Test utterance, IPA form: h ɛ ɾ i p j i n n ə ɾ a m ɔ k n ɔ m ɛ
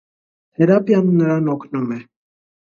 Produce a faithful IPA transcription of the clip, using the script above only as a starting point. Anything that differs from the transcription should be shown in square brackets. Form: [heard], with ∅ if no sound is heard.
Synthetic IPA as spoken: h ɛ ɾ [a] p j [a] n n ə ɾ a [n] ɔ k n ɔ m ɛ